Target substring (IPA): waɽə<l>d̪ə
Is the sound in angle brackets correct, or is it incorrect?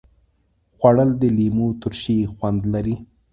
correct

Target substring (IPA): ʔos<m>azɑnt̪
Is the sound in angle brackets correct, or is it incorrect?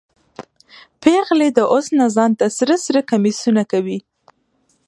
incorrect: n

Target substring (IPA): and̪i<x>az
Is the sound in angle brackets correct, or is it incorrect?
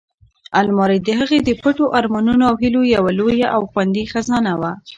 correct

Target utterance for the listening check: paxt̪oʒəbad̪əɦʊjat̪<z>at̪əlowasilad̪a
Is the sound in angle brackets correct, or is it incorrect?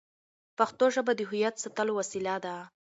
incorrect: s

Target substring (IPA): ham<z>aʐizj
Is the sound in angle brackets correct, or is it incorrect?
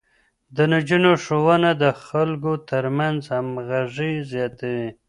incorrect: ɣ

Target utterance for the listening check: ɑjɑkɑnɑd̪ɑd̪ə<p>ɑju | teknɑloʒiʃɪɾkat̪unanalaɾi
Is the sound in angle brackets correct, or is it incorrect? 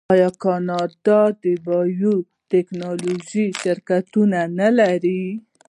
incorrect: b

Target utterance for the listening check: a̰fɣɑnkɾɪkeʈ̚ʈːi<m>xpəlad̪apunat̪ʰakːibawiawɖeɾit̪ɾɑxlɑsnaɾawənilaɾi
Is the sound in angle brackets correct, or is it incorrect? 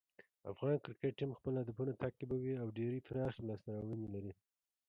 correct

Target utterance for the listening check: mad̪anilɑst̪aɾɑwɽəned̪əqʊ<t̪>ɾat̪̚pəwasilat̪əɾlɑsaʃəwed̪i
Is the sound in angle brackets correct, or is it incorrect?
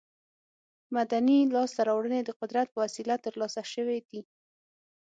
incorrect: d̪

